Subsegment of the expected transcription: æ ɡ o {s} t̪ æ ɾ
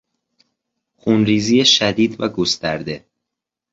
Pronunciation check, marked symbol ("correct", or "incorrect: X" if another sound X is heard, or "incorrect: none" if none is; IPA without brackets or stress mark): correct